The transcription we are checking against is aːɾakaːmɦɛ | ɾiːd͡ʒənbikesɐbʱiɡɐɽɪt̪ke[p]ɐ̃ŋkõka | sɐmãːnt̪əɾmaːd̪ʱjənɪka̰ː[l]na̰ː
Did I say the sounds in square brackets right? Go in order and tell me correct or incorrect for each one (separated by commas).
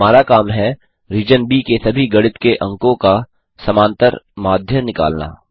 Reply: incorrect, correct